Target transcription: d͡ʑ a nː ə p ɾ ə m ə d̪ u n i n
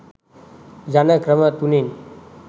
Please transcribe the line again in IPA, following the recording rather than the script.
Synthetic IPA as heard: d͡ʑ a n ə k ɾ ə m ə t̪ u n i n